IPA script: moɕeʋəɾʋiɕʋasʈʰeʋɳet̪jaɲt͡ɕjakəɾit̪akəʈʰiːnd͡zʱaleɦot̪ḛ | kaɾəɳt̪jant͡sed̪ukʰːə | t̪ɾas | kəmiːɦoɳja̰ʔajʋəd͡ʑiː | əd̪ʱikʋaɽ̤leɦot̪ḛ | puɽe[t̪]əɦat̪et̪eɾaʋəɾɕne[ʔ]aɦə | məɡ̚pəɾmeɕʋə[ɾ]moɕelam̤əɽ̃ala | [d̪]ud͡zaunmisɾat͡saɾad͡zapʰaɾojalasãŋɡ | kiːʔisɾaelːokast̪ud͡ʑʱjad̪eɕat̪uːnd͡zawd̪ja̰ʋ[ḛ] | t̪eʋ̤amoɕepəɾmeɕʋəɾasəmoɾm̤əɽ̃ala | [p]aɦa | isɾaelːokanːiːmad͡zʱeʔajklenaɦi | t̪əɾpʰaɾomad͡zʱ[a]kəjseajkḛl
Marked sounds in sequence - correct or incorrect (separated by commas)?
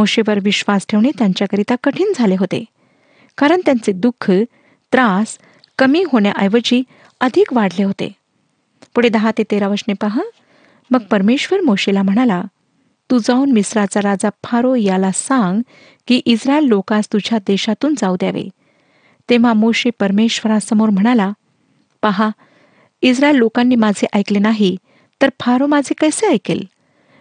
incorrect, incorrect, correct, incorrect, correct, correct, incorrect